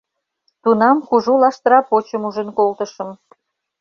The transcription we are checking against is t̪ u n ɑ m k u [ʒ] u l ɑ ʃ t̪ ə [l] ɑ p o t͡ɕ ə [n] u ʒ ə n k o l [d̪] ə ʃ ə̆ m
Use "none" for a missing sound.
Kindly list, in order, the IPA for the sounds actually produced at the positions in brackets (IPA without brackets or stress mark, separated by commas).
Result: ʒ, ɾ, m, t̪